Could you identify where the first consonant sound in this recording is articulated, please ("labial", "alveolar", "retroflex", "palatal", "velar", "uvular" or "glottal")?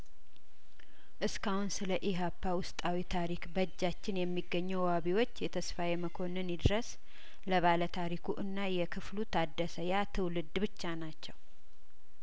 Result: glottal